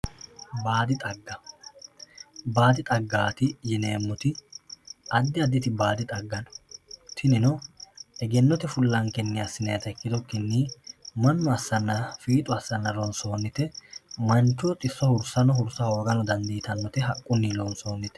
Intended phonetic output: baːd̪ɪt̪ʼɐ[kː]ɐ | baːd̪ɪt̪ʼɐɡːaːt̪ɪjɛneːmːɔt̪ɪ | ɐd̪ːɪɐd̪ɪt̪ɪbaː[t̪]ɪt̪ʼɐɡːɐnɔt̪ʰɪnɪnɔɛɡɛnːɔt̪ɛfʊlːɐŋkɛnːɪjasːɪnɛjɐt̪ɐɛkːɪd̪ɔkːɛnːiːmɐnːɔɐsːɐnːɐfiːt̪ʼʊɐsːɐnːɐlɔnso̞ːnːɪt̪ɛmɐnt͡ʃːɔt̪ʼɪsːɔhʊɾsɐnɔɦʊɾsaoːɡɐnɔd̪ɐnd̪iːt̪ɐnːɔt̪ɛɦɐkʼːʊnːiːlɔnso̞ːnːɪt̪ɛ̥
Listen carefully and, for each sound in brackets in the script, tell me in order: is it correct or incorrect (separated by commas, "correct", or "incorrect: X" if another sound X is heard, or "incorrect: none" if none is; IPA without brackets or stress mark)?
incorrect: ɡː, incorrect: d̪